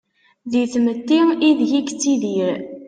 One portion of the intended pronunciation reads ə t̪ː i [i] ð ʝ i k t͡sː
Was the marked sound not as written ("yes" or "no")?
no